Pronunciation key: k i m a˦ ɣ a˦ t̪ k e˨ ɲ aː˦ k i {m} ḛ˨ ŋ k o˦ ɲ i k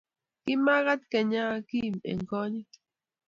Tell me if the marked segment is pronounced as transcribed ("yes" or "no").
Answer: yes